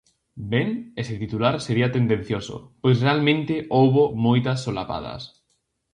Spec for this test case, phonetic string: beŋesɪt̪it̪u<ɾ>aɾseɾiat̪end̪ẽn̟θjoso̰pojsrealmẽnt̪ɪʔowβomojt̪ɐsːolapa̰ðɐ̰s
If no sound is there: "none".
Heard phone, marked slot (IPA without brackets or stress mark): l